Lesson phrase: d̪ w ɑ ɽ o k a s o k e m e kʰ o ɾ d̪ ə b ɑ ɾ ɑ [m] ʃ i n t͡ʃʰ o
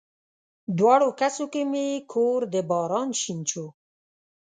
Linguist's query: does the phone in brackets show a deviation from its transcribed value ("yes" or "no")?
yes